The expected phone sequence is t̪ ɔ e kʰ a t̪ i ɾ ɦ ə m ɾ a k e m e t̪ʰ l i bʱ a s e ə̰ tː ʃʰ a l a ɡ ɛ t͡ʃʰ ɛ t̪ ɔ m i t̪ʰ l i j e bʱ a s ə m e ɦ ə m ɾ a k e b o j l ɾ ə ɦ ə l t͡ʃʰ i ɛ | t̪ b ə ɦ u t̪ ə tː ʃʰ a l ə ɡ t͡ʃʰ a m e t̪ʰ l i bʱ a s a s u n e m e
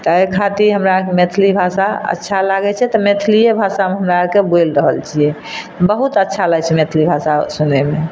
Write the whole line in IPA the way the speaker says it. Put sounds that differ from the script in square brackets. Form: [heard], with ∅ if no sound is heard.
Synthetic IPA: t̪ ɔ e kʰ a t̪ i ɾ ɦ ə m ɾ a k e m e t̪ʰ l i bʱ a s [a] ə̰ tː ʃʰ a l a ɡ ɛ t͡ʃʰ ɛ t̪ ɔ m [e] t̪ʰ l i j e bʱ a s [a] m e ɦ ə m ɾ a k e b o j l ɾ ə ɦ ə l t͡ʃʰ i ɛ | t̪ b ə ɦ u t̪ ə tː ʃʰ a l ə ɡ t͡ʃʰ [ɛ] m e t̪ʰ l i bʱ a s a s u n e m e